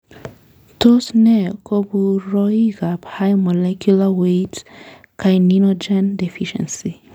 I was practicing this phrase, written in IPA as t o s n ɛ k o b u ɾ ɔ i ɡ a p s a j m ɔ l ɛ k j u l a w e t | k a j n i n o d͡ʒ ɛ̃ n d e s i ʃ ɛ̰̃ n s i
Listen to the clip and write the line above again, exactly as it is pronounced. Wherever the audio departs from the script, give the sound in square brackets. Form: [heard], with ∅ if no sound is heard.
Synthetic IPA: t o s n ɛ k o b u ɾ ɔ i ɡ a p [h] a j m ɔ l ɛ k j u l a w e t | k a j n i n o d͡ʒ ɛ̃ n d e [f] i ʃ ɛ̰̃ n s i